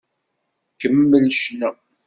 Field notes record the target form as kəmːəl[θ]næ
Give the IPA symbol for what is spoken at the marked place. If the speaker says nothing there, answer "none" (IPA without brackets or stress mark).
ʃ